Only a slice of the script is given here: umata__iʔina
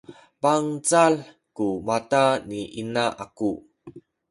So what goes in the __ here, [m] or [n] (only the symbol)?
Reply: n